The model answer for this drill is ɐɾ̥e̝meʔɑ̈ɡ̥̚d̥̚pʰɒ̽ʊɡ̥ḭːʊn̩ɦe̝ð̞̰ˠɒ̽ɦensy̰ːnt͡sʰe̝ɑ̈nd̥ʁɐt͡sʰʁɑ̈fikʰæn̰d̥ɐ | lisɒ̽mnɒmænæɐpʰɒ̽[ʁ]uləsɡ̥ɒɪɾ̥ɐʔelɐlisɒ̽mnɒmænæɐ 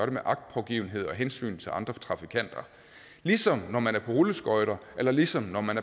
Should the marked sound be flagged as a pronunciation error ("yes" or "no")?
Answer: no